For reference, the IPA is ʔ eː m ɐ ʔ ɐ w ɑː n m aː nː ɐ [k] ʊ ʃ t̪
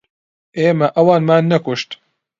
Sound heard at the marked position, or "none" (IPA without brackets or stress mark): k